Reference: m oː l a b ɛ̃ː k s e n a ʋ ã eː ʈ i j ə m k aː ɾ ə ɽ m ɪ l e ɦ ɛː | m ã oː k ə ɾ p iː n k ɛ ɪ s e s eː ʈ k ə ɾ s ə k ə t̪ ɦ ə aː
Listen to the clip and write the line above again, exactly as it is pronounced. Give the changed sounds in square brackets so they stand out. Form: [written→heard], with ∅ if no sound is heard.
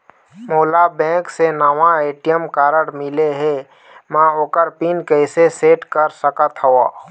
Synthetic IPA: m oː l a b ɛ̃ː k s e n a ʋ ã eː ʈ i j ə m k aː ɾ ə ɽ m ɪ l e ɦ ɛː | m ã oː k ə ɾ p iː n k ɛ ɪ s e s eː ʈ k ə ɾ s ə k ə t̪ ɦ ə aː